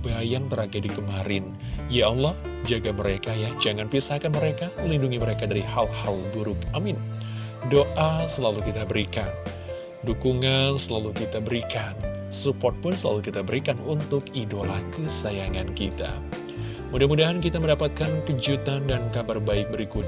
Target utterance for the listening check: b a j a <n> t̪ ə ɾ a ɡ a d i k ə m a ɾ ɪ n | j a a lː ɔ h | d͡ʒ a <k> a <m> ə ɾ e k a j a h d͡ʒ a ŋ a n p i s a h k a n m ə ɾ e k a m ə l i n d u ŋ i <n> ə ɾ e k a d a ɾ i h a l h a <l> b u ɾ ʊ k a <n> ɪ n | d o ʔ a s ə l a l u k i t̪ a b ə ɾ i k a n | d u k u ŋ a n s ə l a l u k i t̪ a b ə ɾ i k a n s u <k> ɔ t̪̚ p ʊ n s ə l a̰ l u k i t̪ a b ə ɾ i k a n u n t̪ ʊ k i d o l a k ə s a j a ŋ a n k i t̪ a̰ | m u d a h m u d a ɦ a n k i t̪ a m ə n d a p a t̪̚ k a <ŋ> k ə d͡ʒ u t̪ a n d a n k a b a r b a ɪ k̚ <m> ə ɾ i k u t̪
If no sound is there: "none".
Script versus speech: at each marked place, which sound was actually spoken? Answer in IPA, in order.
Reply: ŋ, ɡ, m, m, l, m, p, n, b

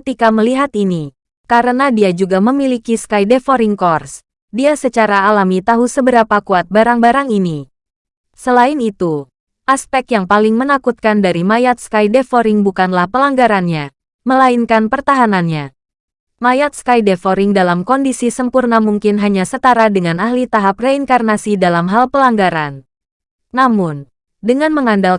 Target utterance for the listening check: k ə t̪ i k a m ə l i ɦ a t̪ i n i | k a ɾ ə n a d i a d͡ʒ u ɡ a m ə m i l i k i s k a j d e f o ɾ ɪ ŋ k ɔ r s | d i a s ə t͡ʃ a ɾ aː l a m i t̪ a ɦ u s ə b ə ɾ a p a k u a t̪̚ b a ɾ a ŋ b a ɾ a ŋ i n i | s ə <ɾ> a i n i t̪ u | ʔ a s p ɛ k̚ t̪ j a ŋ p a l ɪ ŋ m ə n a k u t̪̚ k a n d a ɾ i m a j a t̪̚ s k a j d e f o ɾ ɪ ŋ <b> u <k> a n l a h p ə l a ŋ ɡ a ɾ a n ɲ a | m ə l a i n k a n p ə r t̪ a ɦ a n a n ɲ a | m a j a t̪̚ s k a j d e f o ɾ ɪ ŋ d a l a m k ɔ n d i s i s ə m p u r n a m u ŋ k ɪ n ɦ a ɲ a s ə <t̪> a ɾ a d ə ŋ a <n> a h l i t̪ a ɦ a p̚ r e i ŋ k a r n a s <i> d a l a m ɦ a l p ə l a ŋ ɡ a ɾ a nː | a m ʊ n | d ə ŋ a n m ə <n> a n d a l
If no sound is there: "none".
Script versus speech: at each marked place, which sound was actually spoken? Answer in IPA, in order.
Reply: l, b, k, t̪, n, i, ŋ

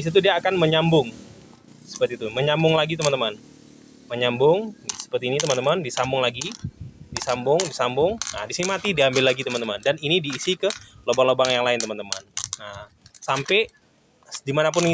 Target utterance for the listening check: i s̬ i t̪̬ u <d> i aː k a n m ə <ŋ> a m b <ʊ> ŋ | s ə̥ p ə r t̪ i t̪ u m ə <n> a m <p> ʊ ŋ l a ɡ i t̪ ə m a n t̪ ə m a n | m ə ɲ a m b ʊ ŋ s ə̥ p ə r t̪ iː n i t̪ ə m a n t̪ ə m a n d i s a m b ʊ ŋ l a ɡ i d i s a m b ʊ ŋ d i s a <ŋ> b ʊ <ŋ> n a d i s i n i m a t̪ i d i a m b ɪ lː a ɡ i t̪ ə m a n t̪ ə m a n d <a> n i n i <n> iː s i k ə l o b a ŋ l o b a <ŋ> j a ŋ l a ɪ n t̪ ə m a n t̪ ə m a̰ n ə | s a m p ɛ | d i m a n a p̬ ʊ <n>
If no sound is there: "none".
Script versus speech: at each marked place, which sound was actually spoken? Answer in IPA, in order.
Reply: d, ɲ, ʊ, ɲ, b, m, ŋ, a, d, ŋ, n

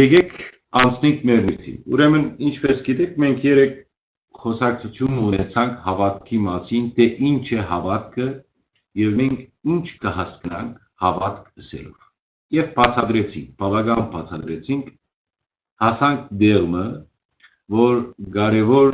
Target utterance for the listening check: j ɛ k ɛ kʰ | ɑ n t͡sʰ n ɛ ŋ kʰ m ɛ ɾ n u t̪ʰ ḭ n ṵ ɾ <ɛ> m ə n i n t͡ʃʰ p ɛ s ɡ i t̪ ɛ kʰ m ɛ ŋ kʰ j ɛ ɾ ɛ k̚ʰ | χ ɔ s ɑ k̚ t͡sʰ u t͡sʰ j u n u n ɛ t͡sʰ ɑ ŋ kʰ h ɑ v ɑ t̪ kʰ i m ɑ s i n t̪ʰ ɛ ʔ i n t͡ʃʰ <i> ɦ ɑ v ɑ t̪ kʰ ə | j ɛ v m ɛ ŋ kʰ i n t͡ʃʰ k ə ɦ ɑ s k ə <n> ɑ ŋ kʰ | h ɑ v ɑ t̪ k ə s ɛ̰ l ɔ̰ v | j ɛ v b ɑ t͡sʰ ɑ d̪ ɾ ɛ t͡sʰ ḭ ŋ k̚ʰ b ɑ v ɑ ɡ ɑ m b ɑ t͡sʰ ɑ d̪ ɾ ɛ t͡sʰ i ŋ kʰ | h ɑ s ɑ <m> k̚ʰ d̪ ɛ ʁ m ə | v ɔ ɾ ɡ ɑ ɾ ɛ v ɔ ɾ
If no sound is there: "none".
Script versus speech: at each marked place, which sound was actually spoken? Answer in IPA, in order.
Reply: ɛ, ɛ, n, ŋ

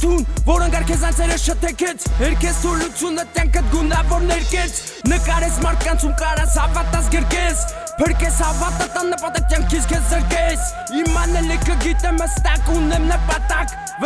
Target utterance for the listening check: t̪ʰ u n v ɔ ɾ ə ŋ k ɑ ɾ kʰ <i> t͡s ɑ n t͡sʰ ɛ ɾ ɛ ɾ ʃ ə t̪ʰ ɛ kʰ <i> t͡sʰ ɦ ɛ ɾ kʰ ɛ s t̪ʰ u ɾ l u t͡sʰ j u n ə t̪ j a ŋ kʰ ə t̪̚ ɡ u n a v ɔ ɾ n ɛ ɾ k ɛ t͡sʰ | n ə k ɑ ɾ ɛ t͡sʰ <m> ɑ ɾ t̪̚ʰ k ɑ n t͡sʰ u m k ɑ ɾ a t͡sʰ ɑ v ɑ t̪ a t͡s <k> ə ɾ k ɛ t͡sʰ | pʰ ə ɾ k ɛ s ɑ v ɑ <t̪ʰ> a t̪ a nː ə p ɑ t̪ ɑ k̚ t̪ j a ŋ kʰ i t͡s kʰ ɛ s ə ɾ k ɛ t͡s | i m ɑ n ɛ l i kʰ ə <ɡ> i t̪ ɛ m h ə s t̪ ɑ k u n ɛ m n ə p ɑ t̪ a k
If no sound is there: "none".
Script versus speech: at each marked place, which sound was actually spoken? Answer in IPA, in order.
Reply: ɛ, ɛ, m, ɡ, t̪, ɡ

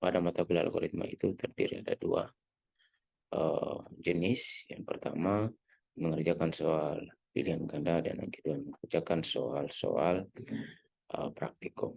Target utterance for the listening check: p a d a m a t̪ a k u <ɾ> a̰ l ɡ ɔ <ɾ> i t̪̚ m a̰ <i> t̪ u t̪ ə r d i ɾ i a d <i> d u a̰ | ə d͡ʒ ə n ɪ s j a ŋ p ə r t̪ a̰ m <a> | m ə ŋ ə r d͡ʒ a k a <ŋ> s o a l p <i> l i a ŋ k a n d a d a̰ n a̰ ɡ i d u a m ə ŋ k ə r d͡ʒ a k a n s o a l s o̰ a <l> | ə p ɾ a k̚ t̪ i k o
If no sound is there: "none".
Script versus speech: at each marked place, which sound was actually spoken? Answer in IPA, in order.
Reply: l, ɾ, i, a, a, n, i, l

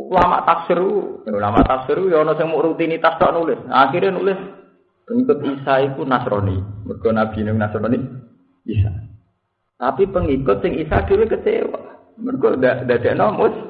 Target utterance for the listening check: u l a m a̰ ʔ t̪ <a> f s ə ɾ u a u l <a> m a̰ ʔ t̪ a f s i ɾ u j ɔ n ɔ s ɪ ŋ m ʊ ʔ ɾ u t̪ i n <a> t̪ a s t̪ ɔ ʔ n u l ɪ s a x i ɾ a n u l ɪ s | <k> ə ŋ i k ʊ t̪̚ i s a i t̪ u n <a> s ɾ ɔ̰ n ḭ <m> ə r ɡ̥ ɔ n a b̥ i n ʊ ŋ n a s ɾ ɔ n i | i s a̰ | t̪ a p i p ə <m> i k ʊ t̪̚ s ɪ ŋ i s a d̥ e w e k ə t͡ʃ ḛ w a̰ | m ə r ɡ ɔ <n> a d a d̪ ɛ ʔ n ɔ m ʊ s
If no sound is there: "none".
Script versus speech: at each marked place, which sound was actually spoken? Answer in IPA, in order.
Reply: a, a, i, p, a, m, ŋ, d

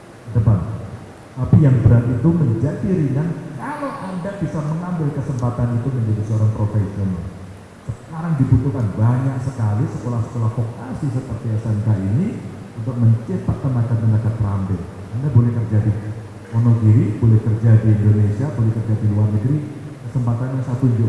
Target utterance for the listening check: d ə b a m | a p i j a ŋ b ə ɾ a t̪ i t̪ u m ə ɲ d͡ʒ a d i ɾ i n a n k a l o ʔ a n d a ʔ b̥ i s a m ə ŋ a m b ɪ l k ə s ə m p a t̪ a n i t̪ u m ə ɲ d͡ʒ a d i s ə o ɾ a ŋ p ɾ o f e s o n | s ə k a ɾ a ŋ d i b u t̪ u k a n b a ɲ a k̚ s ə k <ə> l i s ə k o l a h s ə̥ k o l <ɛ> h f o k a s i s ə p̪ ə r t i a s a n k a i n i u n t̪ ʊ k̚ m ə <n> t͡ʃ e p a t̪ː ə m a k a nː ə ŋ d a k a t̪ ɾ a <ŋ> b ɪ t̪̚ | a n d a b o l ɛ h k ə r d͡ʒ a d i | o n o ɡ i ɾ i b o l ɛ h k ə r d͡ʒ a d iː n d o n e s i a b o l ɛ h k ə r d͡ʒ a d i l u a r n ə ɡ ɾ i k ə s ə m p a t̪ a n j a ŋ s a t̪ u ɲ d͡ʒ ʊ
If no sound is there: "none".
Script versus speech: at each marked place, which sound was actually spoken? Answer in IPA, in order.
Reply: a, a, ɲ, m

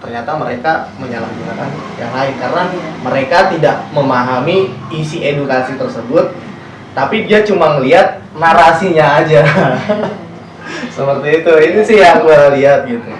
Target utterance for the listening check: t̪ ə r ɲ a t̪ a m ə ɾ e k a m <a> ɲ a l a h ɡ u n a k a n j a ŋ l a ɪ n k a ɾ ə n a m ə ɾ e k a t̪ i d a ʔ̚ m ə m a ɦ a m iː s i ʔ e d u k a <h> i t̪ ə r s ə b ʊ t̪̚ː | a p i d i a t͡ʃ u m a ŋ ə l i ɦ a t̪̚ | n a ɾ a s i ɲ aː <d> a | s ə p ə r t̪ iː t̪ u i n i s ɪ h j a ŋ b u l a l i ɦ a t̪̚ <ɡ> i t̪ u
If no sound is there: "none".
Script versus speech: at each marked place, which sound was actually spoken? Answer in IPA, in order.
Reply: ə, s, d͡ʒ, ɡ

